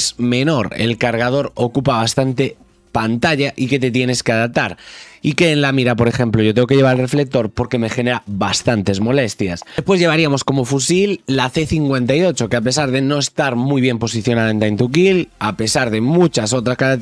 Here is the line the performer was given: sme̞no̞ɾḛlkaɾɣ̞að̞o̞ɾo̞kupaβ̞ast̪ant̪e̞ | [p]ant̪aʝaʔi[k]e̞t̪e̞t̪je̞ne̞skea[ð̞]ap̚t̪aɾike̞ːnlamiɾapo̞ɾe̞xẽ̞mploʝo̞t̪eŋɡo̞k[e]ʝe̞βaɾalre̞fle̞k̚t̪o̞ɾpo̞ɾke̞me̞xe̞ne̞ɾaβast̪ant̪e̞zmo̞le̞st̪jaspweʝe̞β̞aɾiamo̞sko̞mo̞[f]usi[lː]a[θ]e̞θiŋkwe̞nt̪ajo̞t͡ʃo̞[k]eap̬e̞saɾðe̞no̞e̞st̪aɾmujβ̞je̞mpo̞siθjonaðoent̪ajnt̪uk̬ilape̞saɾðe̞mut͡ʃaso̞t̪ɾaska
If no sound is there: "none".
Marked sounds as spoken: p, k, ð̞, e, f, lː, θ, k

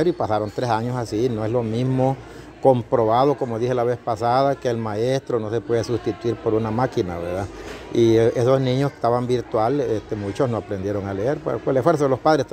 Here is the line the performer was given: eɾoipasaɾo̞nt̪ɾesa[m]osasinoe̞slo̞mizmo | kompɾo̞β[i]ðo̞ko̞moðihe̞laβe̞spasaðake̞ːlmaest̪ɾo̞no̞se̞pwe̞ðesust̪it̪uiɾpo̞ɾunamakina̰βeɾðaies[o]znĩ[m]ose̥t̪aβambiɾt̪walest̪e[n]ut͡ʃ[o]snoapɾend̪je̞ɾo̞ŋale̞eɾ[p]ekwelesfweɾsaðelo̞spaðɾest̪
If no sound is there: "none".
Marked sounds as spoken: ɲ, a, o, ɲ, m, o, p

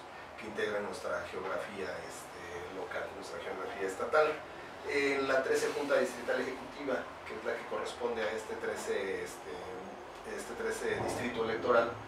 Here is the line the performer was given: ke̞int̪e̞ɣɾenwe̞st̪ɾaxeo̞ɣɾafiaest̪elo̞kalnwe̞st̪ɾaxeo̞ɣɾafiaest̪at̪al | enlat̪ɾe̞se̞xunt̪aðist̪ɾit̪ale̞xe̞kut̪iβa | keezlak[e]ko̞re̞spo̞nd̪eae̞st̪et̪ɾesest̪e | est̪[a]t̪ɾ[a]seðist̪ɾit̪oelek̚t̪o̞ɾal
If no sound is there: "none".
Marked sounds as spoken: e, e, e

